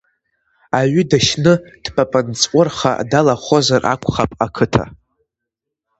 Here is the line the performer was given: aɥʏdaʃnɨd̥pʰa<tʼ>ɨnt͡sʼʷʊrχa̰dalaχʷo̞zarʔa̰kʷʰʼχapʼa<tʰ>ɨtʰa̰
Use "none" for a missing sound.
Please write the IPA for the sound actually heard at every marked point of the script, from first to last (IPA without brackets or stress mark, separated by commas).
pʼ, kʰ